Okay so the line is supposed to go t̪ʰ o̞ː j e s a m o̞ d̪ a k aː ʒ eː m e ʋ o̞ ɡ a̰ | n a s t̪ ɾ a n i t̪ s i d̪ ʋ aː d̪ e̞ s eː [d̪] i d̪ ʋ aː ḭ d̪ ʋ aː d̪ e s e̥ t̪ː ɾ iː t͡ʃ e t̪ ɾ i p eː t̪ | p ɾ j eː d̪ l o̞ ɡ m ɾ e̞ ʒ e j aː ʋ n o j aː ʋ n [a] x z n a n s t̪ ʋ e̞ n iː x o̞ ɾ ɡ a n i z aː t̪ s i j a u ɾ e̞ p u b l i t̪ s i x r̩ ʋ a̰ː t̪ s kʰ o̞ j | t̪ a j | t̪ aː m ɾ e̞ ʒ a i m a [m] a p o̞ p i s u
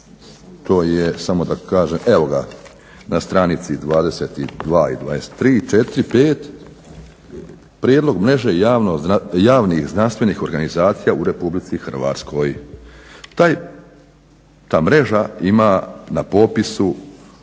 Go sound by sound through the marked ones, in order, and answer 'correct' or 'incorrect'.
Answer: incorrect: t̪, incorrect: i, incorrect: n

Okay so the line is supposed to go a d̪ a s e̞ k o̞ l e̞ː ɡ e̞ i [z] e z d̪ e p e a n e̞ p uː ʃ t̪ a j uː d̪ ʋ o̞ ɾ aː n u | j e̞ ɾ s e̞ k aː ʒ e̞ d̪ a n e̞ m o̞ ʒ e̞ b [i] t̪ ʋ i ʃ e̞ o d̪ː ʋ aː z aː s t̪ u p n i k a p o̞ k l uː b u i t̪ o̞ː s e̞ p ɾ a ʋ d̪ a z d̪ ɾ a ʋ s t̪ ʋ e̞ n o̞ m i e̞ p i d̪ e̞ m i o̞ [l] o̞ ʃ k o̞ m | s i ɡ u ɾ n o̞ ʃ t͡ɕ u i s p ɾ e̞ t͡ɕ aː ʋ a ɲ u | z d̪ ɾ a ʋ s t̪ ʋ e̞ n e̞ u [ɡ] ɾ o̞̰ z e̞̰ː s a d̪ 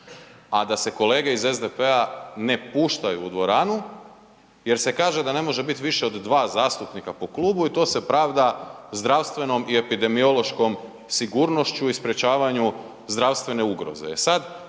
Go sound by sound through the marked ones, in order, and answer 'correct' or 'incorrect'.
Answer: correct, correct, correct, correct

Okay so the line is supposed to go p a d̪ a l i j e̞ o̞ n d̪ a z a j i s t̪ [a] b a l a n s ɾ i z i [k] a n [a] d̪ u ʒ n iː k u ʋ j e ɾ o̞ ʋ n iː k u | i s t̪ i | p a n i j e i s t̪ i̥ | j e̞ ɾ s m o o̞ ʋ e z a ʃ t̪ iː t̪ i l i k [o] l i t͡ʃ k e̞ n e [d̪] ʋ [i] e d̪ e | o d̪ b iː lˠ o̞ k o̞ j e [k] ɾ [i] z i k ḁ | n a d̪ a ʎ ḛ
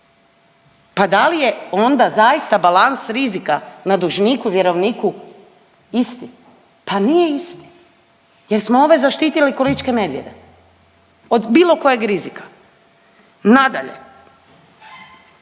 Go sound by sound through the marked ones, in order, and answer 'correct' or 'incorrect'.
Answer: correct, correct, correct, correct, correct, incorrect: j, incorrect: ɡ, correct

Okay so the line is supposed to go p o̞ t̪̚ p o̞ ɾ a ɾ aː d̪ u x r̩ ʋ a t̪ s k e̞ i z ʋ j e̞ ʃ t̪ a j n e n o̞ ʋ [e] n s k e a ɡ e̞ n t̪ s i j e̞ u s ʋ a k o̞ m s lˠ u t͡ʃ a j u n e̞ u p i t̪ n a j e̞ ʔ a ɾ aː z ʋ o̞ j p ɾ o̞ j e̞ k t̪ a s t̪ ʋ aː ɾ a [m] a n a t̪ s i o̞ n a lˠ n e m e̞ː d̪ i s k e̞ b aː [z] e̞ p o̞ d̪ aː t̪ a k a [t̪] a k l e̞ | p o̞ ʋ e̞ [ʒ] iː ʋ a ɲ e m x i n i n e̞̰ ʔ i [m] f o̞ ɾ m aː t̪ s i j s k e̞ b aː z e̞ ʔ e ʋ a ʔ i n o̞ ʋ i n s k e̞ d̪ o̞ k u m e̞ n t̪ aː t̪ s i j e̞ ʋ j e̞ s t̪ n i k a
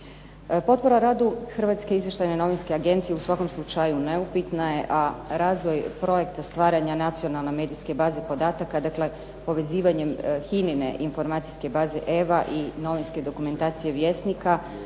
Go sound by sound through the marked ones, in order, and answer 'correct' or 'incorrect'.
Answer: incorrect: i, incorrect: ɲ, correct, incorrect: d̪, incorrect: z, incorrect: n

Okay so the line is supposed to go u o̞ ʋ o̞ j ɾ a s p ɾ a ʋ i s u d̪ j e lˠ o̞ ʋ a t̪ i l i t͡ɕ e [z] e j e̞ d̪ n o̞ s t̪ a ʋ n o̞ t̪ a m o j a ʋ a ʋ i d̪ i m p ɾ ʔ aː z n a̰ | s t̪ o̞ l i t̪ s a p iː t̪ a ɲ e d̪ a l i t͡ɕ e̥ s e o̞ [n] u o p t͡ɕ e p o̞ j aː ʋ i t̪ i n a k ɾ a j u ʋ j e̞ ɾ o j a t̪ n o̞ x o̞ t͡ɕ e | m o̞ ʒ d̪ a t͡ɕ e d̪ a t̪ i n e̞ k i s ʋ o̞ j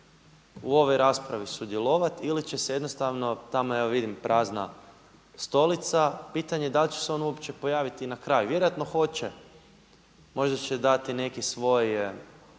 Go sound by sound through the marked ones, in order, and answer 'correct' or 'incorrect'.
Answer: incorrect: s, correct

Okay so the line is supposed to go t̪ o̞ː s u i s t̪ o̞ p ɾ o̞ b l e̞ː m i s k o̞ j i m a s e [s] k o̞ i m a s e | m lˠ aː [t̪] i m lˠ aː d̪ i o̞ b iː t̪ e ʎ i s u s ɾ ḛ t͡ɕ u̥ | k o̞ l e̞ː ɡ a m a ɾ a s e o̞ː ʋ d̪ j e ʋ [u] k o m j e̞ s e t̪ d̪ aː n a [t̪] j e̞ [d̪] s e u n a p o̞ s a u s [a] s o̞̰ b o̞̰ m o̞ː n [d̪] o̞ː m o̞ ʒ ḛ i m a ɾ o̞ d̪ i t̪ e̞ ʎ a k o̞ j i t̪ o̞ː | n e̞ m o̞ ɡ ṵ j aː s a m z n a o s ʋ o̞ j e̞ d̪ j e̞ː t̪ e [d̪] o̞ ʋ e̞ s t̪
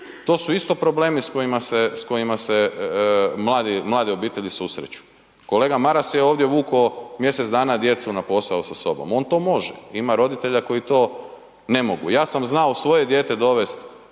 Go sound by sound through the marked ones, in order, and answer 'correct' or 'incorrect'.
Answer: correct, incorrect: d̪, incorrect: uː, incorrect: d̪, incorrect: t̪, correct, incorrect: t̪, correct

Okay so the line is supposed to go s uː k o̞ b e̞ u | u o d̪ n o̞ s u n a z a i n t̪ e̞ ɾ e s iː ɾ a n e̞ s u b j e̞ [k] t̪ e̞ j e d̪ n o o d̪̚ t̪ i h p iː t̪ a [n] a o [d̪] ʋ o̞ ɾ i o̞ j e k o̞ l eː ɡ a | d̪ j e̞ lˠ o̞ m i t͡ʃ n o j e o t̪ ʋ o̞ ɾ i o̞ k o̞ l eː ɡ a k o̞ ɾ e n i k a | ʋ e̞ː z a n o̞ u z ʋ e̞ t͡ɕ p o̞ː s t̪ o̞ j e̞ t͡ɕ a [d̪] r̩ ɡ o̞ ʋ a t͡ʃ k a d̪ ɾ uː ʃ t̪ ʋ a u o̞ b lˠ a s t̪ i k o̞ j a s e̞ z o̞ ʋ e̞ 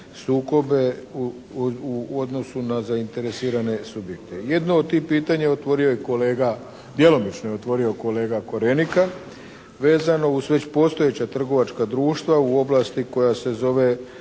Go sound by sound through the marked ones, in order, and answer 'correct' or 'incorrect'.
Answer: correct, incorrect: ɲ, incorrect: t̪, incorrect: t̪

